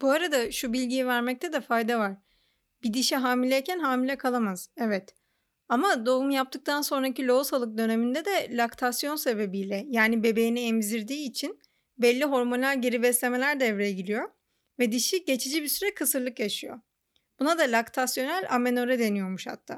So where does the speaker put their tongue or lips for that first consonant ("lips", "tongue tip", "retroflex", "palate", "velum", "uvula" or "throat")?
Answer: lips